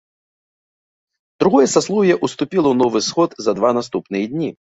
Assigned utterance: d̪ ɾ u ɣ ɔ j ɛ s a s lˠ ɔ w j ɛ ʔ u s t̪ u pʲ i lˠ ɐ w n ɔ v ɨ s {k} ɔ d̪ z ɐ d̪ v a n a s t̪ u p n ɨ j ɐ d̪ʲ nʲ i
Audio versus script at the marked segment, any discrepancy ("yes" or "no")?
yes